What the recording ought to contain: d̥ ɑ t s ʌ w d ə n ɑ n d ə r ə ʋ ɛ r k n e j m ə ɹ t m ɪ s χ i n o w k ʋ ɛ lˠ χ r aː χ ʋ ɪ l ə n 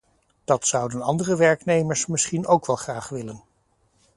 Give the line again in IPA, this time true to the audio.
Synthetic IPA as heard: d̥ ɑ t s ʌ w d ə n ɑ n d ə r ə ʋ ɛ ɹ k n e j m ə ɹ s m ɪ s χ i n o w k ʋ ɛ lˠ χ r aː χ ʋ ɪ l ə n